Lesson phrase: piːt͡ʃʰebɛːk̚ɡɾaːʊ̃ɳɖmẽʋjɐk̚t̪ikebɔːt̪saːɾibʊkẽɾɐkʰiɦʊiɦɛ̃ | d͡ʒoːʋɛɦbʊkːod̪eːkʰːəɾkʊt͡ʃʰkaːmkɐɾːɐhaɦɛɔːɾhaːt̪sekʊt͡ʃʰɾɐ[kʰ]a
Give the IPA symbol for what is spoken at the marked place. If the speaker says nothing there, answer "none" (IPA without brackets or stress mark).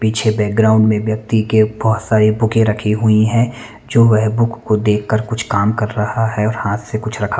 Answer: kʰ